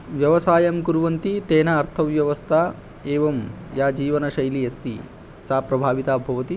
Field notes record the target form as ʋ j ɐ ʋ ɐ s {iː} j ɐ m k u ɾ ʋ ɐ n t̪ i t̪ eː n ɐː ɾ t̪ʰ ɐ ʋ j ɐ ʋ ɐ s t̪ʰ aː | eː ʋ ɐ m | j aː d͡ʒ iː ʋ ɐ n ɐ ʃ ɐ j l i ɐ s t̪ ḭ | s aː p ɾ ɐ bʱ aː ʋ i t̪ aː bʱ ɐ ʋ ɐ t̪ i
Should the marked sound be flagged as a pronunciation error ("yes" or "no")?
yes